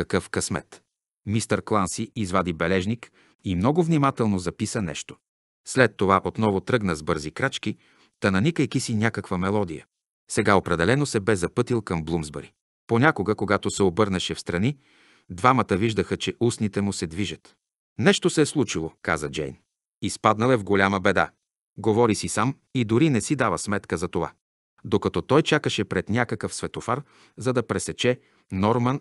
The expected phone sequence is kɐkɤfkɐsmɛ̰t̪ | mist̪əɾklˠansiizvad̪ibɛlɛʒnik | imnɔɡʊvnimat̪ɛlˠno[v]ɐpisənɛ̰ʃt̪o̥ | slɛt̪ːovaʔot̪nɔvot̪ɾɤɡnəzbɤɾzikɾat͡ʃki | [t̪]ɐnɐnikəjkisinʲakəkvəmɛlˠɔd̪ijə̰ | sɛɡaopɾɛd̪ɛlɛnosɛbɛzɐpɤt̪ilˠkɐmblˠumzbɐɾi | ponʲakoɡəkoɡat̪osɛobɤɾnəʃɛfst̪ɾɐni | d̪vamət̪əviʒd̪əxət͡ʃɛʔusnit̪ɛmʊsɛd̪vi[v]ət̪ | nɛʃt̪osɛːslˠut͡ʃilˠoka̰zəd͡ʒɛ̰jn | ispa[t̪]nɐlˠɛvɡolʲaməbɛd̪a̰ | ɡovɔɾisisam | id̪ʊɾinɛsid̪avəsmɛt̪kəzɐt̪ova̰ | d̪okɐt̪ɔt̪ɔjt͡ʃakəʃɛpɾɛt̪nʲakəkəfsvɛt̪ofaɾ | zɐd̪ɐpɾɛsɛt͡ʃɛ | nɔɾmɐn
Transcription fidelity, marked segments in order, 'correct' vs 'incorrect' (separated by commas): incorrect, correct, incorrect, incorrect